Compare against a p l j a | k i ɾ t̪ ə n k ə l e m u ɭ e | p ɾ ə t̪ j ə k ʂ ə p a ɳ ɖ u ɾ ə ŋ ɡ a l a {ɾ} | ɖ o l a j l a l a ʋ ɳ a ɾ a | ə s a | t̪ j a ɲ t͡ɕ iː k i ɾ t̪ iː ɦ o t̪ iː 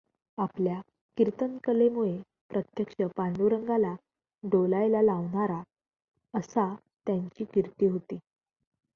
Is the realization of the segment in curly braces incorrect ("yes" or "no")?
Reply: yes